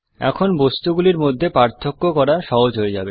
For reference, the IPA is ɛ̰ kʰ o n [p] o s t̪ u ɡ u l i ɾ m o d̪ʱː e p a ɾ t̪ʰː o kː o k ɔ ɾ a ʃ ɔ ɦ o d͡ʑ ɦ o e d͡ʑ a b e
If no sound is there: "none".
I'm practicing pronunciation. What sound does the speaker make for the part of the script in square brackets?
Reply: b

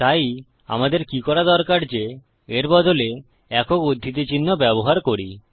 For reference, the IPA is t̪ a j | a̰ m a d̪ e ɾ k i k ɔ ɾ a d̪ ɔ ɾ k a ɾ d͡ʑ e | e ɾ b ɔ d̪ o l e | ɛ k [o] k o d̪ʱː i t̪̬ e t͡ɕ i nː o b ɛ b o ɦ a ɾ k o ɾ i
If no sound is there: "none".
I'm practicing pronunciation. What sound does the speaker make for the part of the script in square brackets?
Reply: o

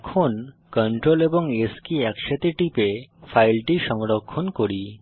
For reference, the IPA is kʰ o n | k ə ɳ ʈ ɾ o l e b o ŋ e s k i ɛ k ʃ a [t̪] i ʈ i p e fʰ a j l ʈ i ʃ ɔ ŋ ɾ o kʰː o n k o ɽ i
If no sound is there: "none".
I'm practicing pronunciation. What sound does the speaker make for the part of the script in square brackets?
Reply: t̪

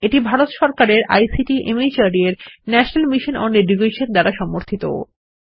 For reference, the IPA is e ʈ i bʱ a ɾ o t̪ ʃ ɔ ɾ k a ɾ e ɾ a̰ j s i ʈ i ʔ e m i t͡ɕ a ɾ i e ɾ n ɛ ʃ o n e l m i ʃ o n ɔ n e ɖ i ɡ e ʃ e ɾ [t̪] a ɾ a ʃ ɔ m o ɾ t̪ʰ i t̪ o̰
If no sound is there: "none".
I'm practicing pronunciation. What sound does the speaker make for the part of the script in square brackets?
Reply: d̪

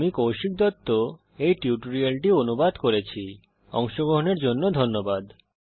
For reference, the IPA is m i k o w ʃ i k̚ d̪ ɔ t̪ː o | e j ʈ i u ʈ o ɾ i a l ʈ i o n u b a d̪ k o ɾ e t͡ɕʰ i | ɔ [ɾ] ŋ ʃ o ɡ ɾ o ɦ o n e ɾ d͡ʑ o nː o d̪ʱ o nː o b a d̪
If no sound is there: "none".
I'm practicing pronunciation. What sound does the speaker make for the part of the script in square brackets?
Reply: none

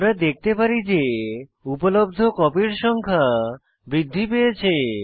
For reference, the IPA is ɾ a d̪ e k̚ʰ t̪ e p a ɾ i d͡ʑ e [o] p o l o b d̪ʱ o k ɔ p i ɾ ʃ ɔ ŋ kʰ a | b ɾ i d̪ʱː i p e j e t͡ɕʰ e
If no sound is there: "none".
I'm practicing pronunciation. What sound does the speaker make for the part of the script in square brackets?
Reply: u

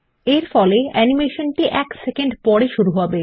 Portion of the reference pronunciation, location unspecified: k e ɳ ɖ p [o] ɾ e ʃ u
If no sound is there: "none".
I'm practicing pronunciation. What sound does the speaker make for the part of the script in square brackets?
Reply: ɔ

